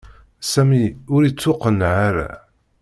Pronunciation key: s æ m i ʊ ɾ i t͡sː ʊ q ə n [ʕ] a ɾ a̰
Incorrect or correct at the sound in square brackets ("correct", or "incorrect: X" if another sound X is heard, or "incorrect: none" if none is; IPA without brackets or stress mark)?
correct